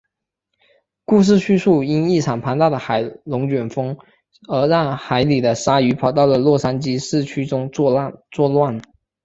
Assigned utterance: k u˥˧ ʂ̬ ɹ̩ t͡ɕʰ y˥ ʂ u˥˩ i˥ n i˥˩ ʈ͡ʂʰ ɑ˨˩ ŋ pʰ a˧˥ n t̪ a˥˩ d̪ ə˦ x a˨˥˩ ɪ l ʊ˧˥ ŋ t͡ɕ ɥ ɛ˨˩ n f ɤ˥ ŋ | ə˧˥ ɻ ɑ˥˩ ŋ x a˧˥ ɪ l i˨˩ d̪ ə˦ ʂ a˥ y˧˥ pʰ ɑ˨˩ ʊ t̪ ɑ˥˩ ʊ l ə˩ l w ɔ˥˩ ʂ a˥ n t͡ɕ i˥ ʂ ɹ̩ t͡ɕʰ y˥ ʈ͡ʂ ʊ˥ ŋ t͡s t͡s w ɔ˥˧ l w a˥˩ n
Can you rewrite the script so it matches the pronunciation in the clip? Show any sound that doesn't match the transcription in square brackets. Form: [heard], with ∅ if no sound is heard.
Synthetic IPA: k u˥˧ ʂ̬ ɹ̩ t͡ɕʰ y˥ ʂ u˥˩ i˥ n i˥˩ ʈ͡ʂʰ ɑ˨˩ ŋ pʰ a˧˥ n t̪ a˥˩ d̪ [ə˩] x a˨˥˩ ɪ l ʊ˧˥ ŋ t͡ɕ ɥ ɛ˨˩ n f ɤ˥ ŋ | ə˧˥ ɻ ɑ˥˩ ŋ x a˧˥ ɪ l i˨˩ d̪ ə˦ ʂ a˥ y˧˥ pʰ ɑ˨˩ ʊ t̪ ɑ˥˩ ʊ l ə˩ l w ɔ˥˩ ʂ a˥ n t͡ɕ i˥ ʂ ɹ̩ t͡ɕʰ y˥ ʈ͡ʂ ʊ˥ ŋ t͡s t͡s w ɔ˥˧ l w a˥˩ n